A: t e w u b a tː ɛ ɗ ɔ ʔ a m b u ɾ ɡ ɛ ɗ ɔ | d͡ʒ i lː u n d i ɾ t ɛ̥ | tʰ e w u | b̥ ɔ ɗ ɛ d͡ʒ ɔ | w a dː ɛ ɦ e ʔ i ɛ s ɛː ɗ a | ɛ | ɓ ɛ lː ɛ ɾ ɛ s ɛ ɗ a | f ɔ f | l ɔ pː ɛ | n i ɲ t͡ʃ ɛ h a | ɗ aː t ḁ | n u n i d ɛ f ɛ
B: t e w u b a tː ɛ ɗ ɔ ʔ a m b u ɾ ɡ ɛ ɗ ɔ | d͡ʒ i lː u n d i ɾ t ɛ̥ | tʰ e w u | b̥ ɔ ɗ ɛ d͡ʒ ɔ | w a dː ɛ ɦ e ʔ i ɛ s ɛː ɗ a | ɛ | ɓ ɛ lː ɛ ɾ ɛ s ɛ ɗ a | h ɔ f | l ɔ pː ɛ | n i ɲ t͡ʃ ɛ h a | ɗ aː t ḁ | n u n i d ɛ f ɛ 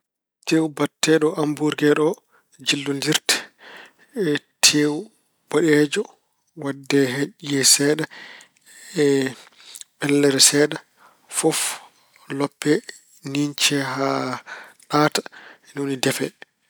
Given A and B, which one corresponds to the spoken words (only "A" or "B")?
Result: A